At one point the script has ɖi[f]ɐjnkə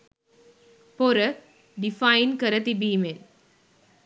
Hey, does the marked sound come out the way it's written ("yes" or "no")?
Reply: yes